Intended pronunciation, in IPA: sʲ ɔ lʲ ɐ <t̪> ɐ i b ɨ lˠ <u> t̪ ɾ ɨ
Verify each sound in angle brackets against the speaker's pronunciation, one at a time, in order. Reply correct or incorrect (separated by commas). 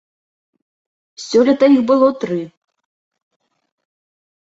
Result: correct, incorrect